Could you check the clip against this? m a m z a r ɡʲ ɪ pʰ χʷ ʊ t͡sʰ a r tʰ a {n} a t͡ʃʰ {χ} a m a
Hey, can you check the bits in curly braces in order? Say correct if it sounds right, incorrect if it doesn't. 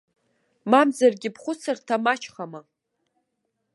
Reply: incorrect, correct

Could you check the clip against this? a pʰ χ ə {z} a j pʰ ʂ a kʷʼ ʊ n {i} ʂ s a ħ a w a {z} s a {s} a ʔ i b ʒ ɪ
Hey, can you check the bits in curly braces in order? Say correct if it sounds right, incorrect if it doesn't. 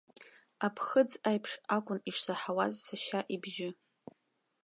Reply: incorrect, correct, correct, incorrect

